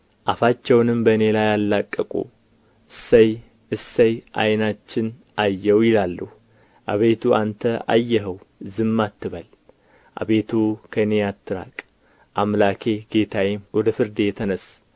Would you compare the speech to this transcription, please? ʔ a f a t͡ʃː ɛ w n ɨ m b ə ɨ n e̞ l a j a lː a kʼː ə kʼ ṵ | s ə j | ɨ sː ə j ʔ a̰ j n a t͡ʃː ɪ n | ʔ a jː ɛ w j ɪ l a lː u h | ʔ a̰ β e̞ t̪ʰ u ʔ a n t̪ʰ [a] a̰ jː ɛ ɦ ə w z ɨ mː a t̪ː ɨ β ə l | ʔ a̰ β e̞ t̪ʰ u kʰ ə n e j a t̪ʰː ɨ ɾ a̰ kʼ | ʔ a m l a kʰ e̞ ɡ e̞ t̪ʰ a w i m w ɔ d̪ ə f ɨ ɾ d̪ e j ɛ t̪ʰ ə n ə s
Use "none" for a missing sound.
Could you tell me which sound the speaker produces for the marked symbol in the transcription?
ə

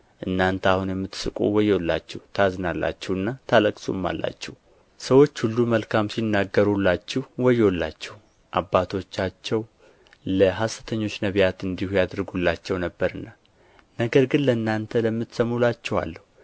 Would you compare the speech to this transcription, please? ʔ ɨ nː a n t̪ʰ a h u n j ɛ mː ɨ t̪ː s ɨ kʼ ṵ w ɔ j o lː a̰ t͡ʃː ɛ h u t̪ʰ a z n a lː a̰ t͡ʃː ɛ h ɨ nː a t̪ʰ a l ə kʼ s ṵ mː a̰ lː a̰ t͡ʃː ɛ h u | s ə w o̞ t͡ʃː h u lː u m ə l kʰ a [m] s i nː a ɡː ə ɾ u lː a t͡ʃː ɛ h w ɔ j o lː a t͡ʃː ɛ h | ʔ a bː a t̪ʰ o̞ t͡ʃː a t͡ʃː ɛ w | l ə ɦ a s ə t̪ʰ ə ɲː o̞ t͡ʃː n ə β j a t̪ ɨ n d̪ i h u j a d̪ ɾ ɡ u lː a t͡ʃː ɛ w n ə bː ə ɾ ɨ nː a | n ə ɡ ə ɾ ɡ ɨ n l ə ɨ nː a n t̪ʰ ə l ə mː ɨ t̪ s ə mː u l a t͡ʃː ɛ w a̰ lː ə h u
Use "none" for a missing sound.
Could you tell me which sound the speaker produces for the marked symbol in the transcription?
m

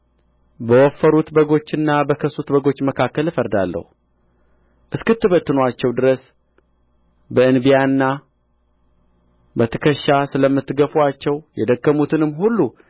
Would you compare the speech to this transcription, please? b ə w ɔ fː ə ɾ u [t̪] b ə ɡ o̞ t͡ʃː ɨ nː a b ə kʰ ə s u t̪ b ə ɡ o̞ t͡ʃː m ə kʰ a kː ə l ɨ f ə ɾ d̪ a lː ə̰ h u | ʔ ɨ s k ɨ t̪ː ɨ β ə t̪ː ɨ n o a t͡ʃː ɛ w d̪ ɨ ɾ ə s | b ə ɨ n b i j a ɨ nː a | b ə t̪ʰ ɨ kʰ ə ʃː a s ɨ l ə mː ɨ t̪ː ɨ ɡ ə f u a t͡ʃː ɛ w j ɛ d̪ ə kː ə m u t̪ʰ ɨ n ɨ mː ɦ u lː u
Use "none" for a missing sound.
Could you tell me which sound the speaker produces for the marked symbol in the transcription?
t̪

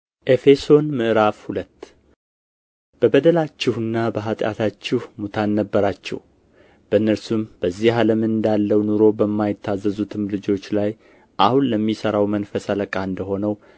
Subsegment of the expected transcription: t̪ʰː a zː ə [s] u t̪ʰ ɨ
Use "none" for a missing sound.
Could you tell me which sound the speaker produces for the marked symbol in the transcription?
z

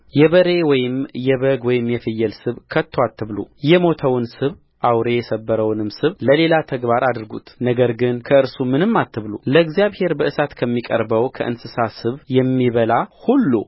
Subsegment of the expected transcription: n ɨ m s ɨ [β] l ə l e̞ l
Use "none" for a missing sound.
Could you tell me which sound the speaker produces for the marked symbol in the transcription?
β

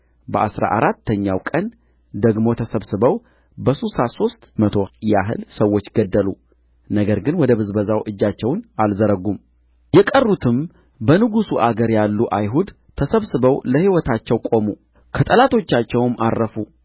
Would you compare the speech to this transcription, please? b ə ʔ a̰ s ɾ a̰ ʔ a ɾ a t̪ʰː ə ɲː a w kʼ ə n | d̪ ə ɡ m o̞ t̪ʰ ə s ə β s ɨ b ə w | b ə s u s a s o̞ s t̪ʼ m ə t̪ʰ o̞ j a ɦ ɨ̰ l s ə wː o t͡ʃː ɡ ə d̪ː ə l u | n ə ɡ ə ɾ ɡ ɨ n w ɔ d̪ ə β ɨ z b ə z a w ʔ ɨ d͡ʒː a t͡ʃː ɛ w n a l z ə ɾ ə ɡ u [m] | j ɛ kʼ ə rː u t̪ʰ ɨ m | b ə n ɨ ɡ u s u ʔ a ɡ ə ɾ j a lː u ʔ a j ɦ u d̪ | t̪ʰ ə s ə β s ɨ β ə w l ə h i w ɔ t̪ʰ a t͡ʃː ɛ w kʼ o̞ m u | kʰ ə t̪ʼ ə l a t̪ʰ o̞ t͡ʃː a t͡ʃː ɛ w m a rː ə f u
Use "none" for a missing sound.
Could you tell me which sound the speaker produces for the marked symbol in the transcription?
m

